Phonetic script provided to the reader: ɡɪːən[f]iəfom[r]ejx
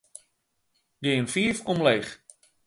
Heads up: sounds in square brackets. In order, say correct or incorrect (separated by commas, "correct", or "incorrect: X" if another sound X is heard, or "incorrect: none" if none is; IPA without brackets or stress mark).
correct, incorrect: l